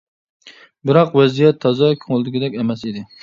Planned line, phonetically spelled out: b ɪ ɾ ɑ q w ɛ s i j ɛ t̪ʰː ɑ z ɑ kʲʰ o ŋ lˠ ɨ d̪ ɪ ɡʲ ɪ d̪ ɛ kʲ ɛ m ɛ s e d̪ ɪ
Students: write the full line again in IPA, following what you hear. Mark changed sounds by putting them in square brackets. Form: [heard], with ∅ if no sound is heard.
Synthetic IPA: b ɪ ɾ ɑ q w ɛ [z] i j ɛ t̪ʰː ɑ z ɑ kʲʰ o ŋ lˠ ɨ d̪ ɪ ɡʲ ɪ d̪ ɛ kʲ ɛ m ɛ s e d̪ ɪ